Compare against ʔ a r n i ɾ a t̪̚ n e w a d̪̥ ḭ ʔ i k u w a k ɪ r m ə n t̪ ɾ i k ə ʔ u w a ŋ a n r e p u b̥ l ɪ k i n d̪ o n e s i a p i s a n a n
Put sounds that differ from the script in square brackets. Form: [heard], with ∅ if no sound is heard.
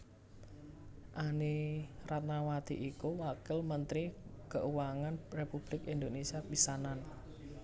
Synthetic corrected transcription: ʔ a [∅] n i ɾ a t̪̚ n [a] w a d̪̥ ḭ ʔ i k u w a k ɪ [l] m ə n t̪ ɾ i k ə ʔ u w a ŋ a n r e p u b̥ l ɪ k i n d̪ o n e s i a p i s a n a n